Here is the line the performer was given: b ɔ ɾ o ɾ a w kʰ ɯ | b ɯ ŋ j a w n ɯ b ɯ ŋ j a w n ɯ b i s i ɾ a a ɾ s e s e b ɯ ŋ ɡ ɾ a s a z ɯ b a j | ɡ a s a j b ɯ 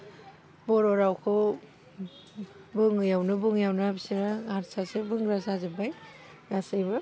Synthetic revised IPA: b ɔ ɾ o ɾ a w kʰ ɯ | b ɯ ŋ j a w n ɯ b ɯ ŋ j a w n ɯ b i s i ɾ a a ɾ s a s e b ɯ ŋ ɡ ɾ a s a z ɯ b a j | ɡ a s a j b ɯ